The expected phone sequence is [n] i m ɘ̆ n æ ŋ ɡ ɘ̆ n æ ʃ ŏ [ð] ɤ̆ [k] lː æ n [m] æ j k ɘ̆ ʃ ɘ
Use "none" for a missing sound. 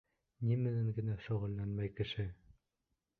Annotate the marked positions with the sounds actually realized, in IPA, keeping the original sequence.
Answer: n, ʁ, none, m

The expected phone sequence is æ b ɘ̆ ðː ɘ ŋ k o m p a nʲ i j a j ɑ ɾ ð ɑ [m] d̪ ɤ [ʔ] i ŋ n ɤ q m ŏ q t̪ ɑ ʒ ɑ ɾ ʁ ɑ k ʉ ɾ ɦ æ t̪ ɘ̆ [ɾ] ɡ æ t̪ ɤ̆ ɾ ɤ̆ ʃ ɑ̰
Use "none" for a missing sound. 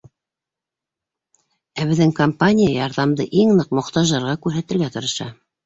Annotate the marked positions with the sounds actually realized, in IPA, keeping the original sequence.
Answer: m, ʔ, l

